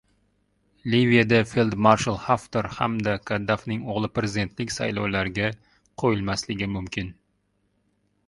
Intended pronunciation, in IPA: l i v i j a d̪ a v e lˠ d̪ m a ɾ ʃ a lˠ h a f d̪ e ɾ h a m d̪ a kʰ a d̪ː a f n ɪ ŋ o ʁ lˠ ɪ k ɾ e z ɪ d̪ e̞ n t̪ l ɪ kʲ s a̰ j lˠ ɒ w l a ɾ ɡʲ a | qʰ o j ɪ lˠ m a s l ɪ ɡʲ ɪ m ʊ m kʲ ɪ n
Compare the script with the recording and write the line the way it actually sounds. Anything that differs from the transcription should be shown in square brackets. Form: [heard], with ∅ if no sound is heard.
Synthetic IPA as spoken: l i v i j a d̪ a [f] e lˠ d̪ m a ɾ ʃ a lˠ h a f [t̪] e ɾ h a m d̪ a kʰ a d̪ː a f n ɪ ŋ o ʁ lˠ ɪ [p] ɾ e z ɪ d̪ e̞ n t̪ l ɪ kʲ s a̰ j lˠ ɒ w l a ɾ ɡʲ a | qʰ o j ɪ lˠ m a s l ɪ ɡʲ ɪ m ʊ m kʲ ɪ n